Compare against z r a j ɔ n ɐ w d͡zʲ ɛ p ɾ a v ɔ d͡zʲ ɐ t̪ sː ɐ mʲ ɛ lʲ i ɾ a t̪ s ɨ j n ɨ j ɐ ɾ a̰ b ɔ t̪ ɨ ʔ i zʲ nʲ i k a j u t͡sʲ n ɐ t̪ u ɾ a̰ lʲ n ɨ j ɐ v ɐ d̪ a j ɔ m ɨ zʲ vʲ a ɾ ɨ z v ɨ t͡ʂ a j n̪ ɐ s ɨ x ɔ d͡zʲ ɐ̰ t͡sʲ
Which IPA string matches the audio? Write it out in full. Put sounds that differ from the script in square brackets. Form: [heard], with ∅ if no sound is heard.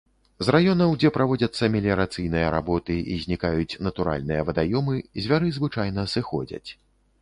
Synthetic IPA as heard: z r a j ɔ n ɐ w d͡zʲ ɛ p ɾ a v ɔ d͡zʲ ɐ t̪ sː ɐ mʲ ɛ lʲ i ɾ a t̪ s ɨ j n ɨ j ɐ ɾ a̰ b ɔ t̪ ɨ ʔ i zʲ nʲ i k a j u t͡sʲ n ɐ t̪ u ɾ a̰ lʲ n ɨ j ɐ v ɐ d̪ a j ɔ m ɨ zʲ vʲ a ɾ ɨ z v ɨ t͡ʂ a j n̪ ɐ s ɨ x ɔ d͡zʲ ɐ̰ t͡sʲ